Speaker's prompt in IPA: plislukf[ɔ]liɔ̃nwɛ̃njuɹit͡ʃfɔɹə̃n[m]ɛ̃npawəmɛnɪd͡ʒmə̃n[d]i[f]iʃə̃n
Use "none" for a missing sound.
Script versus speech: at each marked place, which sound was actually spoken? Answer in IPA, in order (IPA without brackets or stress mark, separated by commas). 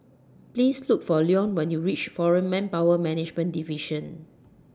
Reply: ɔ, m, d, v